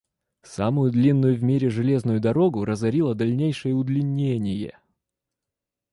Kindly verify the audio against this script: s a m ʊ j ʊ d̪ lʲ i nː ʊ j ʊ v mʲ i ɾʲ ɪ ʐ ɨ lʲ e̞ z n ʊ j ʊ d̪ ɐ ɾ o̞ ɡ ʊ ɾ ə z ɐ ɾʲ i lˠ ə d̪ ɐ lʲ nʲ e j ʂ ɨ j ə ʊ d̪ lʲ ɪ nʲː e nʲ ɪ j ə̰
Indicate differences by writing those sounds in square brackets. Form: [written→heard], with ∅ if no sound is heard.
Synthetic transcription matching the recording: s a m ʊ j ʊ d̪ lʲ i nː ʊ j ʊ v mʲ i ɾʲ ɪ ʐ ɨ lʲ e̞ z n ʊ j ʊ d̪ ɐ ɾ o̞ ɡ ʊ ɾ ə z ɐ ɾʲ i lˠ ə d̪ ɐ lʲ nʲ e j ʂ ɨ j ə ʊ d̪ lʲ ɪ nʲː e nʲ ɪ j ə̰